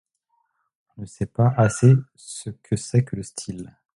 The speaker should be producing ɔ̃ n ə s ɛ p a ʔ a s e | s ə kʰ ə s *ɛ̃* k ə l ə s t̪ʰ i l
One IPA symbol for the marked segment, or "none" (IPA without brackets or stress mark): ɛ